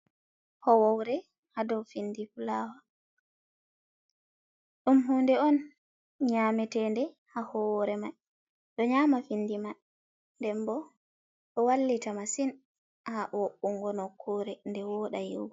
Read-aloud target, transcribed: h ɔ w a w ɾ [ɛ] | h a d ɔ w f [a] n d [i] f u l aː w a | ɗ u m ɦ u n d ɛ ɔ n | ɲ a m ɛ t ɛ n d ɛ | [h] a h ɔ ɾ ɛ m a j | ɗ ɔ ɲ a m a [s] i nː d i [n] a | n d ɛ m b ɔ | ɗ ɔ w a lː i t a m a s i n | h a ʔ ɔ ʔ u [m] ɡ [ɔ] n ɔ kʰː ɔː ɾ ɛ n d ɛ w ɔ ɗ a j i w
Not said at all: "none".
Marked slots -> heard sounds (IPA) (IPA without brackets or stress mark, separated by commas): ɛ, i, i, h, f, m, ŋ, ɔ